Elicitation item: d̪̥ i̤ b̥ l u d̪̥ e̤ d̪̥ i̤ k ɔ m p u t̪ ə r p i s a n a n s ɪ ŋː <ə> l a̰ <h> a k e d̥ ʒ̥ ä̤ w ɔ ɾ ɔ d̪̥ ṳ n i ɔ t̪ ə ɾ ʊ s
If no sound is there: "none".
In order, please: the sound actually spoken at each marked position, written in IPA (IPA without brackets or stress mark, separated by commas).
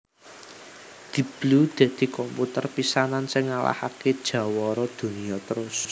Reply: a, h